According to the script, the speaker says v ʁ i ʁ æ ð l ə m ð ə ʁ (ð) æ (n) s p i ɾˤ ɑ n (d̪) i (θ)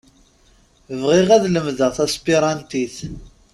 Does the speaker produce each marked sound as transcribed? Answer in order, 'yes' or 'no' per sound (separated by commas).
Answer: no, no, no, yes